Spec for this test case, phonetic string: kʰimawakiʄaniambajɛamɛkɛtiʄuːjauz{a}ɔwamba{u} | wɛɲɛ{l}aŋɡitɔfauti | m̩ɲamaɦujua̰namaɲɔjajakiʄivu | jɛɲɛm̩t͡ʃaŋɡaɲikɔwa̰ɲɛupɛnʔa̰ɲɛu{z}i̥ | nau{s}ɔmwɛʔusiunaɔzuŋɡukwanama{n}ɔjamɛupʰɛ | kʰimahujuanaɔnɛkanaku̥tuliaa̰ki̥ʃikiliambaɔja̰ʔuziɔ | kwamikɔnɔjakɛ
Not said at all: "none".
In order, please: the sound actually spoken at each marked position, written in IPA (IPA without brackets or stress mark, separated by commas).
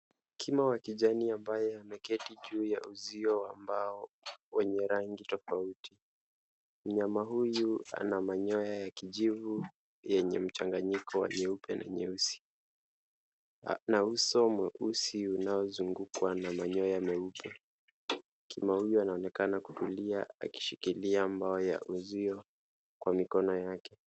i, ɔ, ɾ, s, s, ɲ